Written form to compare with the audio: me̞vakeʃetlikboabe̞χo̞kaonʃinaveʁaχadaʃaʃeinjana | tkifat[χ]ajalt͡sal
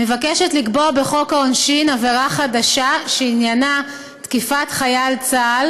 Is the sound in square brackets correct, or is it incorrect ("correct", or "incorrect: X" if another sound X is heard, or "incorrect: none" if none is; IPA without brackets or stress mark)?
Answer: correct